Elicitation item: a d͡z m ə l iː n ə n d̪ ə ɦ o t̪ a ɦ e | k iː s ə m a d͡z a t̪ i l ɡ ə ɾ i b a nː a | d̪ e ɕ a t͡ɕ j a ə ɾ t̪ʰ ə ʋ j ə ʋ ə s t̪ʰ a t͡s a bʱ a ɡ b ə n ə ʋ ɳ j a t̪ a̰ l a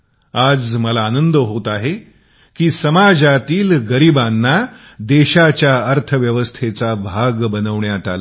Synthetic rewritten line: a d͡z m ə l aː n ə n d̪ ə ɦ o t̪ a ɦ e | k iː s ə m a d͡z a t̪ iː l ɡ ə ɾ i b a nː a | d̪ e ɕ a t͡ɕ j a ə ɾ t̪ʰ ə ʋ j ə ʋ ə s t̪ʰ e t͡s a bʱ a ɡ b ə n ə ʋ ɳ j a t̪ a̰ l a